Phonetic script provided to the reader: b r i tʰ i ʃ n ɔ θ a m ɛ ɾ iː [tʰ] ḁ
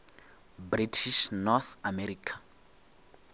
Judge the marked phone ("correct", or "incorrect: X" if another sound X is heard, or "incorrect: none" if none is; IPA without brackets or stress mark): incorrect: kʰ